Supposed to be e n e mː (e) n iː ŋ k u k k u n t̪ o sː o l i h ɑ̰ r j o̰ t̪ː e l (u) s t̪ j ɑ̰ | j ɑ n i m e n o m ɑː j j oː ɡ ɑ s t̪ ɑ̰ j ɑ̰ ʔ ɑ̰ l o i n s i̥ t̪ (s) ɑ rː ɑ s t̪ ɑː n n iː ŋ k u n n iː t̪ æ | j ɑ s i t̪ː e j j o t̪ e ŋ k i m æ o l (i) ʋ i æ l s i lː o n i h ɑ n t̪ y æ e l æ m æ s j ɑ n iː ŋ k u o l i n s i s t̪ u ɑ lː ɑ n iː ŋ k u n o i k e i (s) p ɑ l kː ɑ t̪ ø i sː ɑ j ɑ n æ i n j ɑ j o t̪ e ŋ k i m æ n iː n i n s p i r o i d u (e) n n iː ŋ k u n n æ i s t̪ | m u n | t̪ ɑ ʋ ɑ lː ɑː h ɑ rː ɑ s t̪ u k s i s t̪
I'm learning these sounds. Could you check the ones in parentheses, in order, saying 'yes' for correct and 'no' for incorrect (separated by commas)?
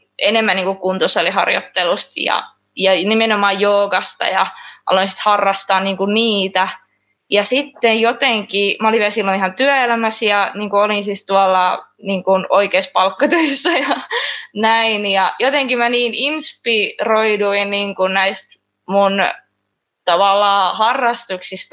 no, yes, no, yes, yes, no